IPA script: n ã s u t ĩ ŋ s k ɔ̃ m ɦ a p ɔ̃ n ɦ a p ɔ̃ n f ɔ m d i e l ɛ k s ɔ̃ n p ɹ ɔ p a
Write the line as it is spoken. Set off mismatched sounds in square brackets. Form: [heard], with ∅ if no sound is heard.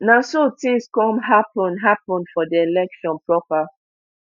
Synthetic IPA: n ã s [o] t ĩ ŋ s k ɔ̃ m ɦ a p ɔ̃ n ɦ a p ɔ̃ n f ɔ [∅] d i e l ɛ k [ʃ] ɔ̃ n p ɹ ɔ p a